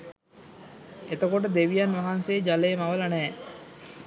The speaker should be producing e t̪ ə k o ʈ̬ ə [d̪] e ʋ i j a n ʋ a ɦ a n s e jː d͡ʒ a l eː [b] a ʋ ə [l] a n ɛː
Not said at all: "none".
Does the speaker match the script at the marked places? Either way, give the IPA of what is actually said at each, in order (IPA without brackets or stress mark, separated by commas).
d̪, m, l